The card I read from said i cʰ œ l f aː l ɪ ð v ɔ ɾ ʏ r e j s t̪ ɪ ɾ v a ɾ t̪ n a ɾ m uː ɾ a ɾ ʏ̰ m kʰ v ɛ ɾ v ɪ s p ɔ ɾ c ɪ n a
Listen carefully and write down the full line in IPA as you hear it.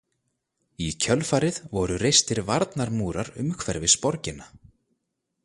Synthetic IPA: i cʰ œ l f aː ɾ ɪ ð v ɔ ɾ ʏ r e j s t̪ ɪ ɾ v a ɾ t̪ n a ɾ m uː ɾ a ɾ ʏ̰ m kʰ v ɛ ɾ v ɪ s p ɔ ɾ c ɪ n a